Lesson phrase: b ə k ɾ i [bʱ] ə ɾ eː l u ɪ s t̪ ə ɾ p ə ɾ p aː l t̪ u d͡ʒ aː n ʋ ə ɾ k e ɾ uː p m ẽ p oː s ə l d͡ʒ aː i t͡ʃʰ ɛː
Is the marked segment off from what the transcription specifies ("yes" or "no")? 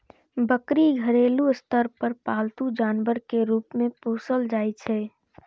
yes